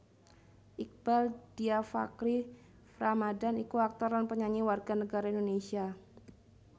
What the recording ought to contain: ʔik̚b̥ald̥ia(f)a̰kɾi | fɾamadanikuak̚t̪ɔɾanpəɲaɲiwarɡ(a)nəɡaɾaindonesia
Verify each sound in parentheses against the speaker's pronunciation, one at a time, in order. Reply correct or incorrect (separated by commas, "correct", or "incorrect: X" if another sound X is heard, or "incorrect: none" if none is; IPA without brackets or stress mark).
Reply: correct, correct